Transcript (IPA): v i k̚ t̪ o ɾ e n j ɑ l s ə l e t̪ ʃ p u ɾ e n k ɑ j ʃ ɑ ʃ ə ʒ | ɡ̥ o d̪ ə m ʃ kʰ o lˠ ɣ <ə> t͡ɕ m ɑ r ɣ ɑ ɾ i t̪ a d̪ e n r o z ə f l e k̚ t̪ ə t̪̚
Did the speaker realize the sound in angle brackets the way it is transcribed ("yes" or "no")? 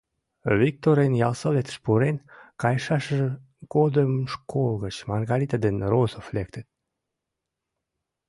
yes